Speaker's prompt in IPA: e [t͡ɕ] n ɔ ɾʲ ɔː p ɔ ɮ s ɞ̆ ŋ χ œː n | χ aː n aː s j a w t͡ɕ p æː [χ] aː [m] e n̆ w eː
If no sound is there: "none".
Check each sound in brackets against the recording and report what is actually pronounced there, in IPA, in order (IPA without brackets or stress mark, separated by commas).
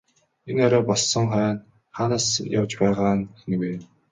none, ʁ, n